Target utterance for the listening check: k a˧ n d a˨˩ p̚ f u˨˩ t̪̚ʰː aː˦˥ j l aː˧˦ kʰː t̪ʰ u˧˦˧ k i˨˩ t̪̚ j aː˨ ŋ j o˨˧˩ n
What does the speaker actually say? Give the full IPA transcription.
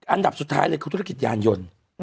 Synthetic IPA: ʔ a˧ n d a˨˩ p̚ s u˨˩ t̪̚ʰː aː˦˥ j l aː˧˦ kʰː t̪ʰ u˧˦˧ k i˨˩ t̪̚ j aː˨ n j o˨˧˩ n